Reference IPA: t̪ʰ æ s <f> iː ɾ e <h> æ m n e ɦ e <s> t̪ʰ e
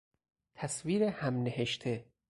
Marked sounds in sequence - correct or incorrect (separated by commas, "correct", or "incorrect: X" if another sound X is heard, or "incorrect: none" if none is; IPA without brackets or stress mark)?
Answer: incorrect: v, correct, incorrect: ʃ